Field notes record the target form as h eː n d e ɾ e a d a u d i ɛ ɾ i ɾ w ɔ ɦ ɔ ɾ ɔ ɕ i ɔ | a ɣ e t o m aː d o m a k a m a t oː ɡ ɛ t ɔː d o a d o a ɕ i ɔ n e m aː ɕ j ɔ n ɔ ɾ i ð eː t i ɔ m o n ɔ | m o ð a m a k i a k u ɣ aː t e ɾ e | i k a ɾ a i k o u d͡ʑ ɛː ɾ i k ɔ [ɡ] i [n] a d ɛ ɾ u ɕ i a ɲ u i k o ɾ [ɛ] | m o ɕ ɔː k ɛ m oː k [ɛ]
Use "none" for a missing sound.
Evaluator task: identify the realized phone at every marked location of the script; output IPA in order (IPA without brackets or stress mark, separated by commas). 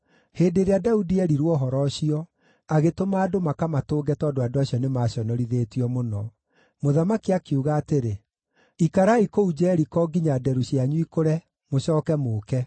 ɡ, ɲ, ɛ, ɛ